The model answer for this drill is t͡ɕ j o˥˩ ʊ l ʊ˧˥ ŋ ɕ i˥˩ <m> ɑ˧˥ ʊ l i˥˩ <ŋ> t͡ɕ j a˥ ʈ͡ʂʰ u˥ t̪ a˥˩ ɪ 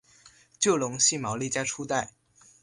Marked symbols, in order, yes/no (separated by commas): yes, no